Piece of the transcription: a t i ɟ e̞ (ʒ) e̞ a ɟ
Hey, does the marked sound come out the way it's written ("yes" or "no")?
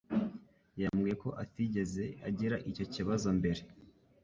no